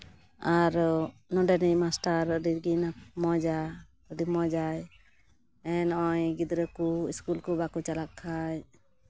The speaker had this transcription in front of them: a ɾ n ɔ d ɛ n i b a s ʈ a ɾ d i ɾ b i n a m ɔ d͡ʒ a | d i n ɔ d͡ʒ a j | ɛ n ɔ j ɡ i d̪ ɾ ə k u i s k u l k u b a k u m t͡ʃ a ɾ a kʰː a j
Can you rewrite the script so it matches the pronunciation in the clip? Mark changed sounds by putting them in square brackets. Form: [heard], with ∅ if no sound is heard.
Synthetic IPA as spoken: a ɾ n ɔ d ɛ n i [m] a s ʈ a ɾ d i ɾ [ɡ] i n a m ɔ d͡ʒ a | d i [m] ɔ d͡ʒ a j | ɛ n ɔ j ɡ i d̪ ɾ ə k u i s k u l k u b a k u [∅] t͡ʃ a [l] a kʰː a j